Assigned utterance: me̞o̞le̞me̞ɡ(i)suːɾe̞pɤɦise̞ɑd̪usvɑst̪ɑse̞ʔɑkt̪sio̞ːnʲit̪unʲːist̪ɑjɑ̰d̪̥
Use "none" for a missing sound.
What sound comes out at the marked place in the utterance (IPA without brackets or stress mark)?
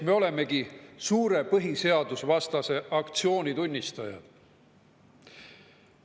i